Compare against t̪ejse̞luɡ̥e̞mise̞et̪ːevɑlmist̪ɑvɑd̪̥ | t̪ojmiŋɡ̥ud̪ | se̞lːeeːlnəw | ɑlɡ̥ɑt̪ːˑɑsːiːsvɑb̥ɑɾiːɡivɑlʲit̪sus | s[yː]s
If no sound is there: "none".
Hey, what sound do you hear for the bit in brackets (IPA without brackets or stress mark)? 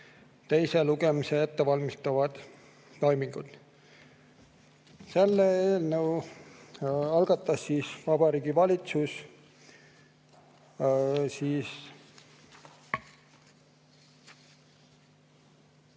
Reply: iː